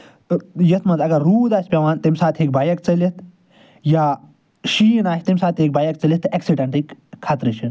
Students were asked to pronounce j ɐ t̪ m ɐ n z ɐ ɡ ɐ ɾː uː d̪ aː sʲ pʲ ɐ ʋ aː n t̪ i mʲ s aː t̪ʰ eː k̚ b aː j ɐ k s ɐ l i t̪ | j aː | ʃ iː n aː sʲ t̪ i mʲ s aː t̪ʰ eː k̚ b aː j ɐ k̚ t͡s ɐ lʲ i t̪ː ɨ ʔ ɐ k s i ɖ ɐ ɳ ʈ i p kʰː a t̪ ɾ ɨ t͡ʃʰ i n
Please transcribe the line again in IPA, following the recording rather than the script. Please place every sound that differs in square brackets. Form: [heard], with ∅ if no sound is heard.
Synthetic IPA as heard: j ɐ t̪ m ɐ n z ɐ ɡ ɐ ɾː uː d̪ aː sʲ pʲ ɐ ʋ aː n t̪ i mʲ s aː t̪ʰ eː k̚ b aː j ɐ k [t͡s] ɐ l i t̪ | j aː | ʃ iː n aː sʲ t̪ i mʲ s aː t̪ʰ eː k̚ b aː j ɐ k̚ t͡s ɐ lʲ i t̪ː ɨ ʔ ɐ k s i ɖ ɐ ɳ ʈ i [k] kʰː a t̪ ɾ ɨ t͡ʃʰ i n